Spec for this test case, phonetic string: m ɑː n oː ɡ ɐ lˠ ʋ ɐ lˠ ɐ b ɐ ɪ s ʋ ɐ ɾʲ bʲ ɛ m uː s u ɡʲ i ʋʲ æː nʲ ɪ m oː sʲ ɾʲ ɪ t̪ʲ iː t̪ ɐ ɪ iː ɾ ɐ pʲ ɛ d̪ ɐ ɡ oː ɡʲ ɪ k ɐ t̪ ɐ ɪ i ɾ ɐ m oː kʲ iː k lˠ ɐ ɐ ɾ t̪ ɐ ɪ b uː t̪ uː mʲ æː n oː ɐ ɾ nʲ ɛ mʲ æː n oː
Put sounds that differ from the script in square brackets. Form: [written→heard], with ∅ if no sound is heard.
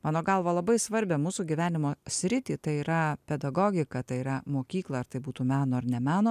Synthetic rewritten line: m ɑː n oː ɡ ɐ lˠ ʋ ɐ lˠ ɐ b ɐ ɪ s ʋ ɐ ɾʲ bʲ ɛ m uː s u ɡʲ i ʋʲ æː nʲ ɪ m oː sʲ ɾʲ ɪ t̪ʲ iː t̪ ɐ ɪ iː ɾ ɐ pʲ ɛ d̪ ɐ ɡ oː ɡʲ ɪ k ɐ t̪ ɐ ɪ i ɾ ɐ m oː kʲ iː k lˠ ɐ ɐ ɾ t̪ ɐ ɪ b uː t̪ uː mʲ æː n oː ɐ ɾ nʲ ɛ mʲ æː n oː